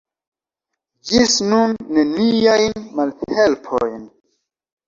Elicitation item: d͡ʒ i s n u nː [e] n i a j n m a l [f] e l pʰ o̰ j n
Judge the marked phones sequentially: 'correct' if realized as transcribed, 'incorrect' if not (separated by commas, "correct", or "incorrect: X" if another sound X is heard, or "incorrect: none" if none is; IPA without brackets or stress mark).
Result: correct, incorrect: h